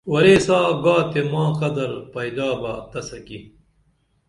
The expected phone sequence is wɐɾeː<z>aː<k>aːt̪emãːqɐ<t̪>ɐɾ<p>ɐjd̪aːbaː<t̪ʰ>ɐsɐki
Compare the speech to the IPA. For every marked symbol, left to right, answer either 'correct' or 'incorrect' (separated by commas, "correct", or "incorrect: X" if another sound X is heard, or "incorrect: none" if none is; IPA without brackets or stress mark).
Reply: incorrect: s, incorrect: ɡ, incorrect: d̪, correct, incorrect: t̪